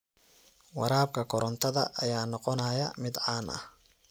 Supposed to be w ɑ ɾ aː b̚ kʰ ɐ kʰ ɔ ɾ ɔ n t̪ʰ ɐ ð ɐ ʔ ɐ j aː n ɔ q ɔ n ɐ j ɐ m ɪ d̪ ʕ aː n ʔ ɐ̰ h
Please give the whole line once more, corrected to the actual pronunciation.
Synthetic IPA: w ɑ ɾ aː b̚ kʰ ɐ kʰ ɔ ɾ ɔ n t̪ʰ ɐ ð ɐ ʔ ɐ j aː n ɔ q ɔ n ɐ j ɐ m ɪ d̪ ʕ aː n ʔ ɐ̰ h